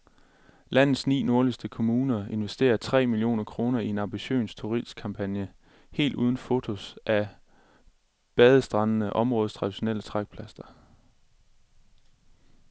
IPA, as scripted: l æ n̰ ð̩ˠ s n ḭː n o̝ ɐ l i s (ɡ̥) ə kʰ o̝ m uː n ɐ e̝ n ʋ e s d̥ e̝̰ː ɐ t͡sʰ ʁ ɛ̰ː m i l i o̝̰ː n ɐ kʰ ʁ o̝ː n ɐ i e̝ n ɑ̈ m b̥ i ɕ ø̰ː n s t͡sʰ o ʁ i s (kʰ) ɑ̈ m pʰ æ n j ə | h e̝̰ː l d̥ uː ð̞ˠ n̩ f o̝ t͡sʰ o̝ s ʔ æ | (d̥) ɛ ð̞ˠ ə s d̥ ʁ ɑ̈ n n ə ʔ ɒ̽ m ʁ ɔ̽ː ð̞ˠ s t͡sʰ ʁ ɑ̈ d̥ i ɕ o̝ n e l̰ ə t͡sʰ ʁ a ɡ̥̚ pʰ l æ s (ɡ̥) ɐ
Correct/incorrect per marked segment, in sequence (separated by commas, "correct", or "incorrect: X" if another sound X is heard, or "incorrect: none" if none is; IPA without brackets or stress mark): incorrect: d̥, correct, incorrect: b̥, incorrect: d̥